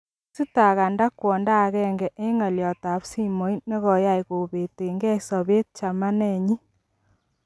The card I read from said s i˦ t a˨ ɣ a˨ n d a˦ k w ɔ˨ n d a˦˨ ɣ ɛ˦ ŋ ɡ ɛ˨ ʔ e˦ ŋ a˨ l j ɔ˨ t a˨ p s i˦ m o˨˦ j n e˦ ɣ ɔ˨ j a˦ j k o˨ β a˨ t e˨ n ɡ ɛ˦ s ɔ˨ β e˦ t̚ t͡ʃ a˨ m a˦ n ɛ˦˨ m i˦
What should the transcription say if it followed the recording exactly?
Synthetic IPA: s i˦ t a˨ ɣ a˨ n d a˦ k w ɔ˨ n d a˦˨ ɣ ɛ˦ ŋ ɡ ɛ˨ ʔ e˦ ŋ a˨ l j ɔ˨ t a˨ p s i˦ m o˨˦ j n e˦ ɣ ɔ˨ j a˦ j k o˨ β e˨ t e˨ ŋ ɡ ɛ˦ s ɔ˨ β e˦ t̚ t͡ʃ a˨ m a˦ n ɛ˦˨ ɲ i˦